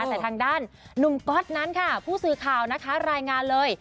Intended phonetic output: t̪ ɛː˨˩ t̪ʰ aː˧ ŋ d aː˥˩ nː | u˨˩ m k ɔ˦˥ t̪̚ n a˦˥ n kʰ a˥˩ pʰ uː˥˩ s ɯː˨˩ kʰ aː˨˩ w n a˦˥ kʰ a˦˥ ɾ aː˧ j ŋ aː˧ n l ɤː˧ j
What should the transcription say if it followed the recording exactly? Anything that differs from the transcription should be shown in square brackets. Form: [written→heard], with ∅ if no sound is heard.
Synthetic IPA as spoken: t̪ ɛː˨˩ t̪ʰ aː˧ ŋ d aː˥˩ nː | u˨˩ m k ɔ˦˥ t̪̚ n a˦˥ n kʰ a˥˩ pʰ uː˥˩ s ɯː˨˩ kʰ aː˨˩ w n a˦˥ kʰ a˦˥ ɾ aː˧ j ŋ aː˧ n l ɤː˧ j